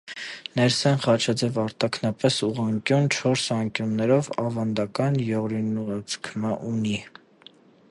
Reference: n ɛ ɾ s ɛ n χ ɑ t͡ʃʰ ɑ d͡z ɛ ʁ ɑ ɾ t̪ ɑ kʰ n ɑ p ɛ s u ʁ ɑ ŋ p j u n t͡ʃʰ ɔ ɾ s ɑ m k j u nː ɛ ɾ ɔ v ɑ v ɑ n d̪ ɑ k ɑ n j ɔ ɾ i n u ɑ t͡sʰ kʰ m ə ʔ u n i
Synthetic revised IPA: n ɛ ɾ s ɛ n χ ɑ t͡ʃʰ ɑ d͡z ɛ v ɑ ɾ t̪ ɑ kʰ n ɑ p ɛ s u ʁ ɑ ŋ k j u n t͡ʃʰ ɔ ɾ s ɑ ŋ k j u nː ɛ ɾ ɔ v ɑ v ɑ n d̪ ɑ k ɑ n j ɔ ɾ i n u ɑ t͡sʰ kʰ m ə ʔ u n i